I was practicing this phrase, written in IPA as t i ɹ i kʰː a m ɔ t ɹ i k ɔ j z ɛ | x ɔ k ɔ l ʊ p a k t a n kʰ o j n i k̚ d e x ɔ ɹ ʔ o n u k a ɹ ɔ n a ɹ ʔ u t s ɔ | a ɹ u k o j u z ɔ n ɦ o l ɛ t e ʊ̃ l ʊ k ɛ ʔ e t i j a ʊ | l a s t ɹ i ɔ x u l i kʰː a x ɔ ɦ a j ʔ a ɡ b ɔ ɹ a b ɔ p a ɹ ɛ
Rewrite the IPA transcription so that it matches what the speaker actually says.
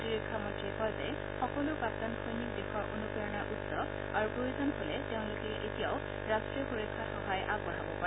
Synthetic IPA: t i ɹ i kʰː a m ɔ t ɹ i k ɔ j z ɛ | x ɔ k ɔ l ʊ p a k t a n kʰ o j n i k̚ d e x ɔ ɹ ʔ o n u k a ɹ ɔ n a ɹ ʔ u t s ɔ | a ɹ u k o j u z ɔ n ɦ o l ɛ t e ʊ̃ l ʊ k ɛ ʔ e t i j a ʊ | ɹ a s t ɹ i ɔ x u ɹ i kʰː a x ɔ ɦ a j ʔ a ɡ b ɔ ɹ a b ɔ p a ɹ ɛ